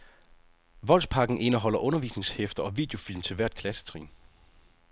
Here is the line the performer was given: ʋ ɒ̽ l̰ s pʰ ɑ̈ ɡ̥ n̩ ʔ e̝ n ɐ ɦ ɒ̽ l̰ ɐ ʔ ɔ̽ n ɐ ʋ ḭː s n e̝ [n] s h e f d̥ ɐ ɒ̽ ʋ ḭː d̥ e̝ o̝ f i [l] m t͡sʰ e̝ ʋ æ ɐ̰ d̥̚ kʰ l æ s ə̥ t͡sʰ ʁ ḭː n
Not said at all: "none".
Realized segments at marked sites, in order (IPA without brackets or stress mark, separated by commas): ŋ, l